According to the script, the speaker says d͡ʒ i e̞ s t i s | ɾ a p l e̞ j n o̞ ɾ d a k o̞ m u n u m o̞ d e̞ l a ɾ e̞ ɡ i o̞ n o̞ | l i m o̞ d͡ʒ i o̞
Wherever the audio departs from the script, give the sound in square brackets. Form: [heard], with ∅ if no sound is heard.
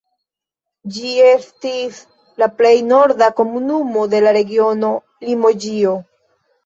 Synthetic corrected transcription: d͡ʒ i e̞ s t i s | [l] a p l e̞ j n o̞ ɾ d a k o̞ m u n u m o̞ d e̞ l a ɾ e̞ ɡ i o̞ n o̞ | l i m o̞ d͡ʒ i o̞